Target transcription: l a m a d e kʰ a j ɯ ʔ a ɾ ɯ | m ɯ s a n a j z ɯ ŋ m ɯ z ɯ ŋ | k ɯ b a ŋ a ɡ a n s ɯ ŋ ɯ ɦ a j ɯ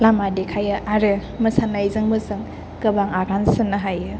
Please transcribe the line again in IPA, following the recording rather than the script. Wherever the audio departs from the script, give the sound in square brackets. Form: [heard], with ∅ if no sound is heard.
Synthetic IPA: l a m a d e kʰ a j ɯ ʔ a ɾ ɯ | m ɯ s a n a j z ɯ ŋ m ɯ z ɯ ŋ | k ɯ b a ŋ a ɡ a n s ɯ [n] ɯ ɦ a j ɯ